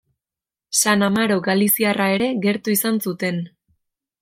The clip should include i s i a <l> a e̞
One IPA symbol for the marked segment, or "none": r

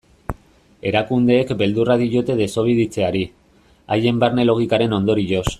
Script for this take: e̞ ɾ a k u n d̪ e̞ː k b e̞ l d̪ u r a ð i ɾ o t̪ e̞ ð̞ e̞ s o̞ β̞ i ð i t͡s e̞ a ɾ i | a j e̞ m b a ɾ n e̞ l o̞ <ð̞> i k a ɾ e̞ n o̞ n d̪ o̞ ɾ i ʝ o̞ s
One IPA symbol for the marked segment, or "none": ɣ̞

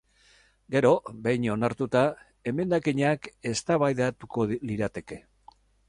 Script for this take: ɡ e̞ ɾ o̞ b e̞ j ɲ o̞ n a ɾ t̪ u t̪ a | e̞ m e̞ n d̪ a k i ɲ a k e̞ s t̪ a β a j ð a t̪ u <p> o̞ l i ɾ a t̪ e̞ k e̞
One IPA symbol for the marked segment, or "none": k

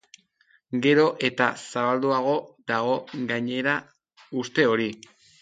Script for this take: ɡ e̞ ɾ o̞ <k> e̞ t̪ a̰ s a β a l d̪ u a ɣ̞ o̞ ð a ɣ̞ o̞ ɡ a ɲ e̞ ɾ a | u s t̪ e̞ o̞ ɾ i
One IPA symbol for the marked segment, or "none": ʔ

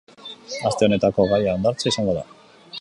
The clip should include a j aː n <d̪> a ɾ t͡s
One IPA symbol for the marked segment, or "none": d̪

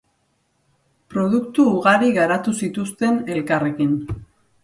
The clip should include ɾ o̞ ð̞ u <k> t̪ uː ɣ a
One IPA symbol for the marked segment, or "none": k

